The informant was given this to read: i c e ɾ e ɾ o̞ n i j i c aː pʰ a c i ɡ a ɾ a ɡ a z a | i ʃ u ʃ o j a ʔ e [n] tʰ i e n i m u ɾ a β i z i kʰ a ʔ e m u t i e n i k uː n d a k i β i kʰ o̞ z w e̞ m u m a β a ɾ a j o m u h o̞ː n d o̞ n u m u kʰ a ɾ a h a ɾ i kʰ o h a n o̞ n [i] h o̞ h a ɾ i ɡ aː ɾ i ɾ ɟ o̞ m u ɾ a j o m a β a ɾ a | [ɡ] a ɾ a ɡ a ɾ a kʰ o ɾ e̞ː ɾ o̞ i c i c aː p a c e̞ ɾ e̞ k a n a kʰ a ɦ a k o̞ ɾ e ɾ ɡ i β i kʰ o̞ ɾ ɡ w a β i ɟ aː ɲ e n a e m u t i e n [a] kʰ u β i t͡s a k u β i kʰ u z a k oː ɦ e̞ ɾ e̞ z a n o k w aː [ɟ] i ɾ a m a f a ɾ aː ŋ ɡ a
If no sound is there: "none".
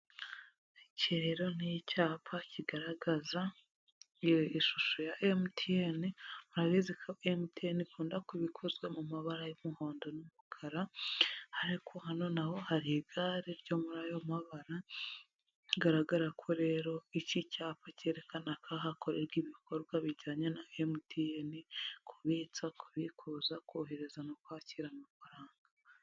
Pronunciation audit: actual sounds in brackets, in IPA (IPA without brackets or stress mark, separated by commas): m, a, ɡ, i, c